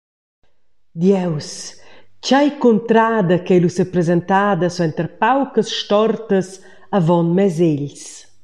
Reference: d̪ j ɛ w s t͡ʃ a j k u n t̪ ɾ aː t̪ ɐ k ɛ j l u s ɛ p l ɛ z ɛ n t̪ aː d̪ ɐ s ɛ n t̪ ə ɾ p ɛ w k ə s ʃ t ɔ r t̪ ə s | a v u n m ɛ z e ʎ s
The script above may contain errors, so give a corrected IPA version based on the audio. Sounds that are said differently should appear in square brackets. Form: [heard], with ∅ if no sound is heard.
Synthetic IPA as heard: d̪ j ɛ w s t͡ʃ a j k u n t̪ ɾ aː [d̪] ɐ k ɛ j l u s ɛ p [ɾ] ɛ z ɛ n t̪ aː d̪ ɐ s ɛ n t̪ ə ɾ p [a] w k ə s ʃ t ɔ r t̪ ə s | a v [ɔ] n m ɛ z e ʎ s